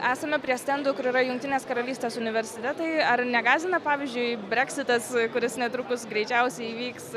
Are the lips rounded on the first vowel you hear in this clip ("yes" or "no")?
no